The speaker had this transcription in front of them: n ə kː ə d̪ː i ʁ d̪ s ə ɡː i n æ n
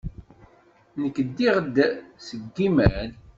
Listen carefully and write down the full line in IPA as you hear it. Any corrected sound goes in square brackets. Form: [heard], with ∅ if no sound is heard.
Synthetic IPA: n ə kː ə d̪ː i ʁ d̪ s ə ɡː i [m] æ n